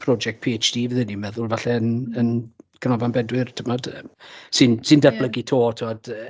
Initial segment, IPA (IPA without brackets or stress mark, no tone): pʰ